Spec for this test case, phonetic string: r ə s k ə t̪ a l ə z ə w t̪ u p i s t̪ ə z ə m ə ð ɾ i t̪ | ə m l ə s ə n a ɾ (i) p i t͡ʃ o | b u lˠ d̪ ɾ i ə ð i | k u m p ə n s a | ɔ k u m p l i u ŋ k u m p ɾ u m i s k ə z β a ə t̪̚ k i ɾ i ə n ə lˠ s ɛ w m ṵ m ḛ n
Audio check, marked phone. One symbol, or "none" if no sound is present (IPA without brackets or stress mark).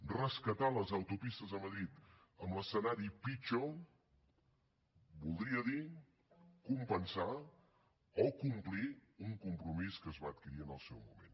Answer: i